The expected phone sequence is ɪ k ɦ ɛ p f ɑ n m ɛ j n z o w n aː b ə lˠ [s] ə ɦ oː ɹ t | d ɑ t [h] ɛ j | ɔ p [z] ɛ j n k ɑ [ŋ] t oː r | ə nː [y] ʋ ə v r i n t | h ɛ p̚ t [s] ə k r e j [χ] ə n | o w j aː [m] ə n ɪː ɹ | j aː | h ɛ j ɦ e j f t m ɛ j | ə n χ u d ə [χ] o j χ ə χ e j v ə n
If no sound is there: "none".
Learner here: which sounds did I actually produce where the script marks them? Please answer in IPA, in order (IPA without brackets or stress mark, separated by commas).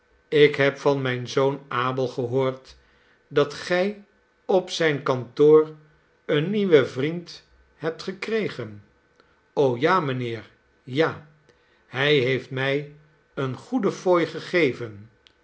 χ, χ, s, n, i, χ, χ, m, f